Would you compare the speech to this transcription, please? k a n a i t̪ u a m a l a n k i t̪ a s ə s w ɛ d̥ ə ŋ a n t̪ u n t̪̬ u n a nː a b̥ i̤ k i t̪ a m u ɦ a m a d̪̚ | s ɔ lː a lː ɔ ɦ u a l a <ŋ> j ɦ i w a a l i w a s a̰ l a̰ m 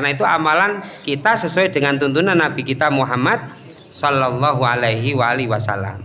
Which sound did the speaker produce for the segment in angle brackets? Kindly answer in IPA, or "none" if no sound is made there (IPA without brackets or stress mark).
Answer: none